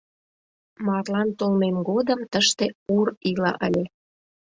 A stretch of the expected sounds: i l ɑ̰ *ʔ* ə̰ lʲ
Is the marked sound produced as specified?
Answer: yes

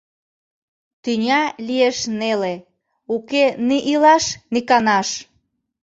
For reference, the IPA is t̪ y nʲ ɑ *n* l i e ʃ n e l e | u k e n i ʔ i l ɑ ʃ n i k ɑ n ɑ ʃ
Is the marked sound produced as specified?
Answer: no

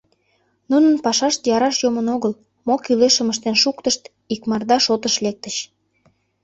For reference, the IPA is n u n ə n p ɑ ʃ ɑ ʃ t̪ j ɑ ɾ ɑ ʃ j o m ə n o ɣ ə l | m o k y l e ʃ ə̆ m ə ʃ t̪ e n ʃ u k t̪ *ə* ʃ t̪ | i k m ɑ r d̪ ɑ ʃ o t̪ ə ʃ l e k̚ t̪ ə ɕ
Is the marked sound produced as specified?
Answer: yes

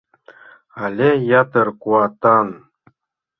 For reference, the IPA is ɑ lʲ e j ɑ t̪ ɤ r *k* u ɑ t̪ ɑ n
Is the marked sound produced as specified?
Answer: yes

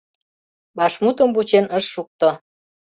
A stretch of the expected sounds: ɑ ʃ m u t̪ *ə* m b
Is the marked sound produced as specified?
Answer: yes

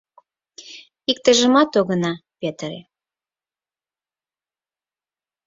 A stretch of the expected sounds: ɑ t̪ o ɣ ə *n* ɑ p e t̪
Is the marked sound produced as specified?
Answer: yes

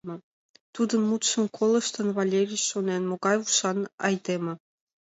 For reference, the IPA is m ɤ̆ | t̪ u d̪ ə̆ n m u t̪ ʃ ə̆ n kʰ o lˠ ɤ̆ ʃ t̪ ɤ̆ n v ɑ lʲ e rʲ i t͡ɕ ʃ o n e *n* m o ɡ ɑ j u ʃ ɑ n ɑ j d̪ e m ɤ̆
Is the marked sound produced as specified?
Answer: yes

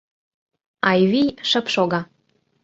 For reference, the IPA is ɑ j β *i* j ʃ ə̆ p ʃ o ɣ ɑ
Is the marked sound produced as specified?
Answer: yes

